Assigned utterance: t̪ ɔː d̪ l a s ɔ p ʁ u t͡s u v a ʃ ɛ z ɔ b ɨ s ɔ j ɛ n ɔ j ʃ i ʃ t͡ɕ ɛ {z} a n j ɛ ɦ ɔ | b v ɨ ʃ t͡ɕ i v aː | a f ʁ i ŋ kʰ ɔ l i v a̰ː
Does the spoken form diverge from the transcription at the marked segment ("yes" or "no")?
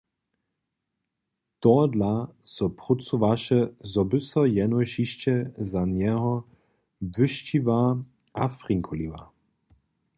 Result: no